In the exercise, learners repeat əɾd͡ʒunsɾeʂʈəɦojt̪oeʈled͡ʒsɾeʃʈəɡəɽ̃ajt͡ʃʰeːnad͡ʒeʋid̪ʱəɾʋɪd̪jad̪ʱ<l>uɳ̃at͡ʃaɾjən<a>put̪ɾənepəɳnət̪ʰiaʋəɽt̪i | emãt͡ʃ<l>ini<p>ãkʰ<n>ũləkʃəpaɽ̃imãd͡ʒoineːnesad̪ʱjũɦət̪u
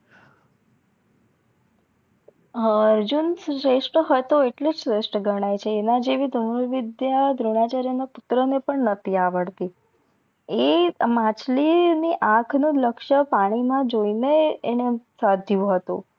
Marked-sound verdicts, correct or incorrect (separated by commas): incorrect, correct, correct, incorrect, correct